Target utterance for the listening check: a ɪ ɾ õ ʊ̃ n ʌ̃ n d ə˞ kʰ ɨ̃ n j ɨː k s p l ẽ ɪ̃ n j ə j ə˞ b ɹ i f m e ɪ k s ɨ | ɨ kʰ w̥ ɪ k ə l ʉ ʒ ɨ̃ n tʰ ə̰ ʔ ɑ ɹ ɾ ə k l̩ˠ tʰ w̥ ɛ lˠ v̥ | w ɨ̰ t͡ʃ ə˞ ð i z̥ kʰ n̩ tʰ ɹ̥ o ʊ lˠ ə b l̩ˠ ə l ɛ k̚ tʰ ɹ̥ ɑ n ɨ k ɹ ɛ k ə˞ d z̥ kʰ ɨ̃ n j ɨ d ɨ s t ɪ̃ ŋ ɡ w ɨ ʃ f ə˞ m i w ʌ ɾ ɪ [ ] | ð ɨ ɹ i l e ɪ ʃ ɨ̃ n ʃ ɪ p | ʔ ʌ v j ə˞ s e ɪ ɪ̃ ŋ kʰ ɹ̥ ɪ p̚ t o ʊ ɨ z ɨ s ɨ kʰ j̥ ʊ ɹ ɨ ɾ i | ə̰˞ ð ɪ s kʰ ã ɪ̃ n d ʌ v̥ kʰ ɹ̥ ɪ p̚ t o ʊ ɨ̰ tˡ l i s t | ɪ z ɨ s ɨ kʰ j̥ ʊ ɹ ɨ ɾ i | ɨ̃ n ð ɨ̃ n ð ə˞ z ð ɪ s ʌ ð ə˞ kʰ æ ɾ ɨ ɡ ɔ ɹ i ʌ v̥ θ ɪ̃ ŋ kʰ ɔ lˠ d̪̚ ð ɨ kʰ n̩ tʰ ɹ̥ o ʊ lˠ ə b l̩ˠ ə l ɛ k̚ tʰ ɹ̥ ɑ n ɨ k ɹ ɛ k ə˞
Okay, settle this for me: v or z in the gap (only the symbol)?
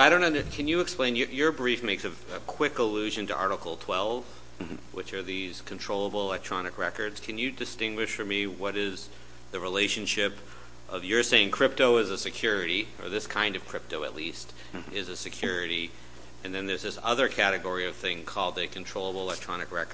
z